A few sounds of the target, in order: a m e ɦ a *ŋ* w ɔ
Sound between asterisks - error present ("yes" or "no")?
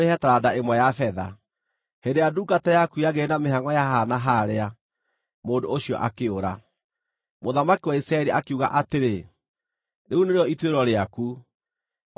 no